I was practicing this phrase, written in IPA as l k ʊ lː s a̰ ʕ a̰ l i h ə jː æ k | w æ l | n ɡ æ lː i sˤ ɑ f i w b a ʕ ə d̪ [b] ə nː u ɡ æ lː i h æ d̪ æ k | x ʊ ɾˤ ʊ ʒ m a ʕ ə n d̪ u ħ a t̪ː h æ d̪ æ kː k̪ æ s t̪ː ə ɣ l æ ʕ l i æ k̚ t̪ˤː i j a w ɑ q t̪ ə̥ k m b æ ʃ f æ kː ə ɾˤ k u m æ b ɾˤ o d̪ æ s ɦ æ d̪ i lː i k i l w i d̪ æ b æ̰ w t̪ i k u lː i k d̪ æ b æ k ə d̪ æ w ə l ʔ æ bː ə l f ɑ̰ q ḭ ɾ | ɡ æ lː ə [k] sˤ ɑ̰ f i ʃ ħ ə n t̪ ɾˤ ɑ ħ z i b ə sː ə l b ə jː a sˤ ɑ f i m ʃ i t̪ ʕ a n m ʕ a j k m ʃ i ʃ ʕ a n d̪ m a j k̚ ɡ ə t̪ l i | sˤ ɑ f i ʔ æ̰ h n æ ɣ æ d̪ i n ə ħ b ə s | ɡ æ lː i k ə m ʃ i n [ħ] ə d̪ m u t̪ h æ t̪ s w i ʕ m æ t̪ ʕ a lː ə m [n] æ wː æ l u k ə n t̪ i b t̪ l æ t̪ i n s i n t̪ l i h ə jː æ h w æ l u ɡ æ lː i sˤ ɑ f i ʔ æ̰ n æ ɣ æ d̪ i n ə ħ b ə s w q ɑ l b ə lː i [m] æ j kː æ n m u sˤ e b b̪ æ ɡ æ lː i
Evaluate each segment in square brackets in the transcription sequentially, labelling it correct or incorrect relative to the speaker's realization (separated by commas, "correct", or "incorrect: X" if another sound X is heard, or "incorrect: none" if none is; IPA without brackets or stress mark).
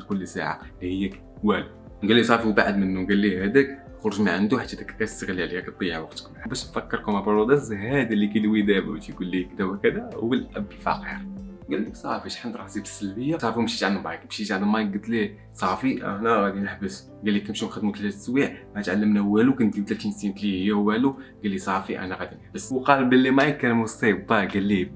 incorrect: m, correct, incorrect: x, correct, correct